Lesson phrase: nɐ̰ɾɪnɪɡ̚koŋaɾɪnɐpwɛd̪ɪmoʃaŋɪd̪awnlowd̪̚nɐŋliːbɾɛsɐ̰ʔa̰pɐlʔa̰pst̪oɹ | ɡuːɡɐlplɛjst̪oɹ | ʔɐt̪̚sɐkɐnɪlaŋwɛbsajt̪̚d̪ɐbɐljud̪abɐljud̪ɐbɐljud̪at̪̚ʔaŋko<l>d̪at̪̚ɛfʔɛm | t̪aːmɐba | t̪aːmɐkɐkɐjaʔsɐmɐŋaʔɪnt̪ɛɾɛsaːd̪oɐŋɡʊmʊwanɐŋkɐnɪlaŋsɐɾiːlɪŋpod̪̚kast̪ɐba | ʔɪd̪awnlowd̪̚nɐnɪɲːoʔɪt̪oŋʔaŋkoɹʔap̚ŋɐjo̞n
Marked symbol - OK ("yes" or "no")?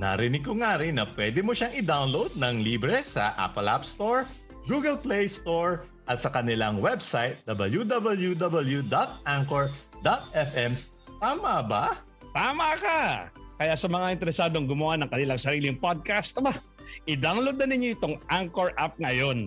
no